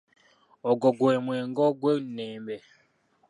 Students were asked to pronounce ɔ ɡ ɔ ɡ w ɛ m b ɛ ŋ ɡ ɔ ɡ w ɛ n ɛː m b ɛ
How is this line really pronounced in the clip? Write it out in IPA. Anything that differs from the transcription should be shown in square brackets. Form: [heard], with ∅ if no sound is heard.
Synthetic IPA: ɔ ɡ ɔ ɡ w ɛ m [w] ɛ ŋ ɡ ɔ ɡ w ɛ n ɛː m b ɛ